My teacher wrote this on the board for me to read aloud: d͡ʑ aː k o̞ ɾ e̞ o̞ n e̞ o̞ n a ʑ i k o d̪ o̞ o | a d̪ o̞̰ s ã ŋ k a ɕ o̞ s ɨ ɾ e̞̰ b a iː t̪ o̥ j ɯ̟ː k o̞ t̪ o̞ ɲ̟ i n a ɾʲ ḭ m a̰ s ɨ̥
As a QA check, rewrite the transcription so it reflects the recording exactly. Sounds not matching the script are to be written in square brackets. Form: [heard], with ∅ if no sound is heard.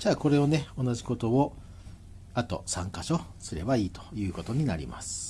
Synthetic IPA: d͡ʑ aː k o̞ ɾ e̞ o̞ n e̞ o̞ n a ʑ i k o [t̪] o̞ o | a [t̪] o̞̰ s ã ŋ k a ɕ o̞ s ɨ ɾ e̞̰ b a iː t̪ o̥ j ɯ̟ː k o̞ t̪ o̞ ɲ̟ i n a ɾʲ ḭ m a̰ s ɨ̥